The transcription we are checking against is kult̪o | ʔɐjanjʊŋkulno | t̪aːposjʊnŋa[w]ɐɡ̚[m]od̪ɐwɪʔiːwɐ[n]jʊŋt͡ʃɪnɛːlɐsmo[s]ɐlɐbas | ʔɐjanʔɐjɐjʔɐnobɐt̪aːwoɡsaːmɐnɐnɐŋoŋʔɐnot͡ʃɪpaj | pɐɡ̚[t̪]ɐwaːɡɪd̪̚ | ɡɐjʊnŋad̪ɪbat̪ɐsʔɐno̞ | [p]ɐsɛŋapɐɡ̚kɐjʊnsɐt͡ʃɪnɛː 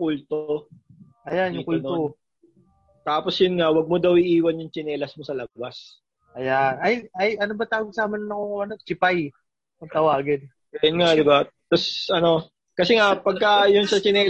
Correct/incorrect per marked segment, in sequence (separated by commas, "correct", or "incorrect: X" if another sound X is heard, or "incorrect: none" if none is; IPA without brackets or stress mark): correct, correct, correct, correct, correct, incorrect: k